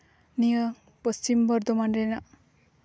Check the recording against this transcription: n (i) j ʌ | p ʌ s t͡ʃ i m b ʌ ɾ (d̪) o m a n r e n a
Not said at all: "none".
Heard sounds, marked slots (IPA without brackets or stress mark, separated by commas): i, d̪